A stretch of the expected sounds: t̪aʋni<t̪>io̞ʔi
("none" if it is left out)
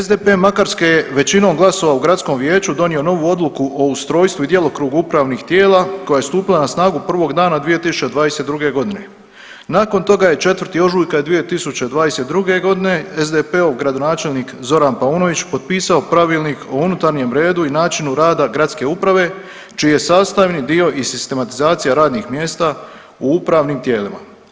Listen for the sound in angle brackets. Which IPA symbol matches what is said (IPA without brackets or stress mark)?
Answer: d̪